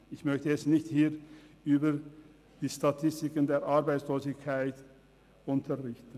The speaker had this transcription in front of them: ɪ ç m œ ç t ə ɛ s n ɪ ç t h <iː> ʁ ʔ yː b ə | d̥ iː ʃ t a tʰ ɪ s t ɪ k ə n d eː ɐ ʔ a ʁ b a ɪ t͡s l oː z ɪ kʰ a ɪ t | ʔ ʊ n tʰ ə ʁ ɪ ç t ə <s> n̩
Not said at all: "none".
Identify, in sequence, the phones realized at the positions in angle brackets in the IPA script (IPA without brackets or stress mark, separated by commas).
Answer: iː, none